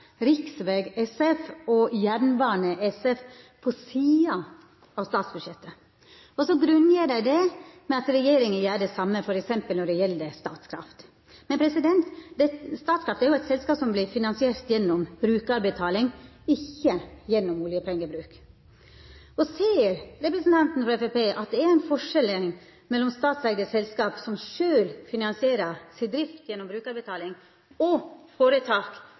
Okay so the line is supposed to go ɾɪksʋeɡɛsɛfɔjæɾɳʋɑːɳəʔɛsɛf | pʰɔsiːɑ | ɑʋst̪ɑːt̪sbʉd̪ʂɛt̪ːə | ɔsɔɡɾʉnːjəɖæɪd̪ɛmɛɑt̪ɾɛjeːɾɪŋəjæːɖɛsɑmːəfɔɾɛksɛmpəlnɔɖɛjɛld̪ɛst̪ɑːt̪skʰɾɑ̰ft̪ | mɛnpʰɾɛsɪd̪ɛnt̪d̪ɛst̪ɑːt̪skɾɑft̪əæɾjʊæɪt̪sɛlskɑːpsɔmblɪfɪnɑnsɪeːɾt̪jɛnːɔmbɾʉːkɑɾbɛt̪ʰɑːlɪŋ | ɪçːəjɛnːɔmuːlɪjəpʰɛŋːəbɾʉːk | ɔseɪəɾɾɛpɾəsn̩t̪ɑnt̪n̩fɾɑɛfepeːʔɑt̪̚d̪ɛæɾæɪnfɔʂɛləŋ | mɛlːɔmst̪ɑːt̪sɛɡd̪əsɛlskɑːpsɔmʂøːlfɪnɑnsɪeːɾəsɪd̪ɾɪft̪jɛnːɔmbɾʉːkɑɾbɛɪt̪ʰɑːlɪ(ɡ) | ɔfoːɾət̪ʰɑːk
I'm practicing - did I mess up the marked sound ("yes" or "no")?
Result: yes